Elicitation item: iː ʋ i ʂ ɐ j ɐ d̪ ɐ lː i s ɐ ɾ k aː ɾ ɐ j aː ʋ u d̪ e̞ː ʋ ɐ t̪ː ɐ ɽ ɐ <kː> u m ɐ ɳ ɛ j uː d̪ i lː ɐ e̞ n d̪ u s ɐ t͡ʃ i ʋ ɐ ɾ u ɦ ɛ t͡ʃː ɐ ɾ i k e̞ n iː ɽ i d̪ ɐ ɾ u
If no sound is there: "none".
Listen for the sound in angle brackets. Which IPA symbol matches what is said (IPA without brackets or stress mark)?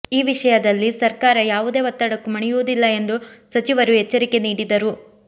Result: kː